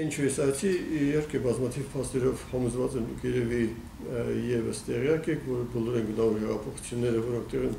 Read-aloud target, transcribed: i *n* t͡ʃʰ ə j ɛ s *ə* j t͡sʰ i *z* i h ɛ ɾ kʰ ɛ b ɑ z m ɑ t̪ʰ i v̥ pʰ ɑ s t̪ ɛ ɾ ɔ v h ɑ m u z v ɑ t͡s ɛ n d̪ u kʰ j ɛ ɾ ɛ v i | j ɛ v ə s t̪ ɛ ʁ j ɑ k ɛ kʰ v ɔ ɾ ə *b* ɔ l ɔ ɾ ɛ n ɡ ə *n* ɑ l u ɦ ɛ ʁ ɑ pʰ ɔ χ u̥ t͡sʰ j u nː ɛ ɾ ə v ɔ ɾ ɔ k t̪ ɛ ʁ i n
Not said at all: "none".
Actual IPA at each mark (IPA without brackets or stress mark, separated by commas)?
n, ɑ, none, b, n